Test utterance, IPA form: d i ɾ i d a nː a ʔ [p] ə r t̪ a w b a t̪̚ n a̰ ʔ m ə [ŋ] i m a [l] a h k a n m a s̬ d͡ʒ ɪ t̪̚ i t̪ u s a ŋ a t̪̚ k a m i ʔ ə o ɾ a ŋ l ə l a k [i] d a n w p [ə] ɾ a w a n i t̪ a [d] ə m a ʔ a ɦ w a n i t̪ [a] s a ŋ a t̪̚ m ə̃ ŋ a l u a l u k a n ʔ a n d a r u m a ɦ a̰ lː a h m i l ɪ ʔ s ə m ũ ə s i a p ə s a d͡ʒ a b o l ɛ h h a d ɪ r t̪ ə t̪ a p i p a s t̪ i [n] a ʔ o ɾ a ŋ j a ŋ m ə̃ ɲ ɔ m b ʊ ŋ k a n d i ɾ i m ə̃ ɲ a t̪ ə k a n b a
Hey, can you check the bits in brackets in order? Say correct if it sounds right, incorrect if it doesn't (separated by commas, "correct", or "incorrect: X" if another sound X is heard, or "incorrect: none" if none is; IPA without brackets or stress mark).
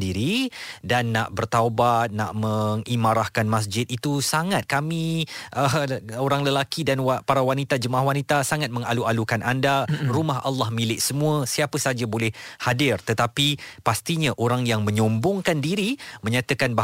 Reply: incorrect: b, correct, incorrect: ɾ, correct, incorrect: a, incorrect: d͡ʒ, correct, incorrect: ɲ